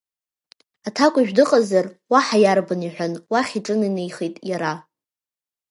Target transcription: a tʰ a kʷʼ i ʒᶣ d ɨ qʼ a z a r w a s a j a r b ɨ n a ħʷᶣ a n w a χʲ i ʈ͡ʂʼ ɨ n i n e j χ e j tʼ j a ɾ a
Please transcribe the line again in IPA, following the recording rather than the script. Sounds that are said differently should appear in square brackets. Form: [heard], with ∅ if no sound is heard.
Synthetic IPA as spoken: a tʰ a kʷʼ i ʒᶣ d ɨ qʼ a z a r w a [ħ] a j a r b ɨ n [i] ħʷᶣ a n w a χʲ i ʈ͡ʂʼ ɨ n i n e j χ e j tʼ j a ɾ a